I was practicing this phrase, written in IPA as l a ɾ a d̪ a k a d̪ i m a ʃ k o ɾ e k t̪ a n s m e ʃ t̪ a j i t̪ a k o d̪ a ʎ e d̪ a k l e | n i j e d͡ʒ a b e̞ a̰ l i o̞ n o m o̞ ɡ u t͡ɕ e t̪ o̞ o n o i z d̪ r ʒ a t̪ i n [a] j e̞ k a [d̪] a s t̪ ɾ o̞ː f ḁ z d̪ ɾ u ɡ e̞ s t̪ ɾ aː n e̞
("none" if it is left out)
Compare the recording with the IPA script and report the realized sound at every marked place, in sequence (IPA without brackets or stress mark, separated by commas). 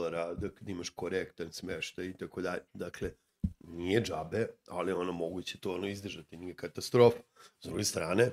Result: i, t̪